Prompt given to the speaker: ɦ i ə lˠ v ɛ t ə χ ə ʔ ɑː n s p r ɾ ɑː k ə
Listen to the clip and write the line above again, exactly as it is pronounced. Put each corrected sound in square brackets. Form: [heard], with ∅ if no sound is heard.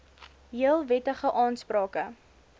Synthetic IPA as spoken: ɦ i ə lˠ v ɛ t ə χ ə ʔ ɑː n s p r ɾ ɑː k ə